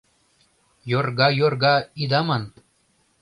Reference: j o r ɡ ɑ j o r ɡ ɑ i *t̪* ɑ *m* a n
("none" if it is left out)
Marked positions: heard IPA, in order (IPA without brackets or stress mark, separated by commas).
d̪, m